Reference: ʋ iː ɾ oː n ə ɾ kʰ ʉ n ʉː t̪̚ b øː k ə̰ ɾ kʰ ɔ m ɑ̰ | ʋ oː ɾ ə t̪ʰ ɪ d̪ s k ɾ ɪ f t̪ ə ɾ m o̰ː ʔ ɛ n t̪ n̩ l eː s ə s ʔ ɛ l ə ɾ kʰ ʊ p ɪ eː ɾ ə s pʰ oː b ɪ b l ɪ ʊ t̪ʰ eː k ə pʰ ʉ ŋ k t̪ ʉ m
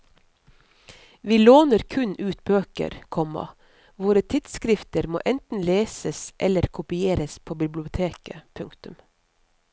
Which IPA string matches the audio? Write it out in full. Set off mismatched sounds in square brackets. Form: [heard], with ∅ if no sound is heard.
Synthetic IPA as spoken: ʋ iː [l] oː n ə ɾ kʰ ʉ n ʉː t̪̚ b øː k ə̰ ɾ kʰ ɔ m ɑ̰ | ʋ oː ɾ ə t̪ʰ ɪ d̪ s k ɾ ɪ f t̪ ə ɾ m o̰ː ʔ ɛ n t̪ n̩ l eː s ə s ʔ ɛ l ə ɾ kʰ ʊ p ɪ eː ɾ ə s pʰ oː b ɪ b l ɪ ʊ t̪ʰ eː k ə pʰ ʉ ŋ k t̪ ʉ m